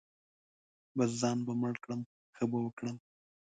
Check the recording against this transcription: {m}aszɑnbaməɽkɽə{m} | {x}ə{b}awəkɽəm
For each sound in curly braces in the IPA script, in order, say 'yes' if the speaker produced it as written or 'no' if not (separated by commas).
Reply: no, yes, yes, yes